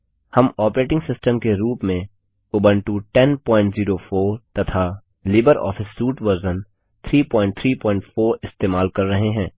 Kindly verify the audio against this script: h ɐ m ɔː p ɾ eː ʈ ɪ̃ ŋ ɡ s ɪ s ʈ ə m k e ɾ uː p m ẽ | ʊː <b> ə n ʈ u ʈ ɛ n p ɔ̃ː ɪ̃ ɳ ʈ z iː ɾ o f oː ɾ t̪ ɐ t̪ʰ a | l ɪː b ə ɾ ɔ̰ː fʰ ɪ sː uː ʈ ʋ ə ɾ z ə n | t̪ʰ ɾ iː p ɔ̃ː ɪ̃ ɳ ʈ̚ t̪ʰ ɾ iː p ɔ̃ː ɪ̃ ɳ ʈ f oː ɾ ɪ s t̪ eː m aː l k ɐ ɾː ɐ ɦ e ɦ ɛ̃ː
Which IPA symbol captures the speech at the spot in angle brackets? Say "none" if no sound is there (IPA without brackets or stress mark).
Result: b